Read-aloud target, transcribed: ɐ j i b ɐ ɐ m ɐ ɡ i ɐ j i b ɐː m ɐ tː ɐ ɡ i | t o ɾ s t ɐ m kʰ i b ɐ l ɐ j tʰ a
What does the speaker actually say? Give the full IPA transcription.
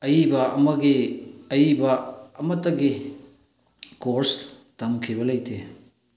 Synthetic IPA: ɐ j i b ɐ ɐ m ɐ ɡ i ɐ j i b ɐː m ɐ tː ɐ ɡ i | k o ɾ s t ɐ m kʰ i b ɐ l ɐ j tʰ e